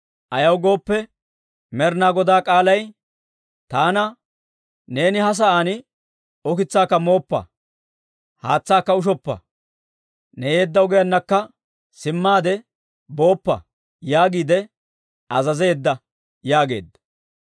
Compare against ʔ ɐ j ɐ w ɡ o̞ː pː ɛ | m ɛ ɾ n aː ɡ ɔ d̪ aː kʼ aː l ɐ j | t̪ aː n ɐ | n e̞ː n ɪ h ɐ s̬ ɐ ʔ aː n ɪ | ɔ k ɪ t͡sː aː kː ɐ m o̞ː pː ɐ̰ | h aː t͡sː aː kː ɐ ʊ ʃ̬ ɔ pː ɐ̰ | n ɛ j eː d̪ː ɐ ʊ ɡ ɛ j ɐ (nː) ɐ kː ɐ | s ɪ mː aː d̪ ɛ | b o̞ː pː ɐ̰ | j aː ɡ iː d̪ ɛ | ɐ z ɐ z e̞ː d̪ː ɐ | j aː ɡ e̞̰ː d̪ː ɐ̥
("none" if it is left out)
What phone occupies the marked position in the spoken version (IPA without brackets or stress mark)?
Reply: nː